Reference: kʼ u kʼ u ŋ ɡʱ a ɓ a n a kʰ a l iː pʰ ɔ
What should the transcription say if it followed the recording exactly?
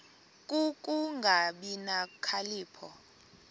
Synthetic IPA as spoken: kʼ u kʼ u ŋ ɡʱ a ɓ i n a kʰ a l iː pʰ ɔ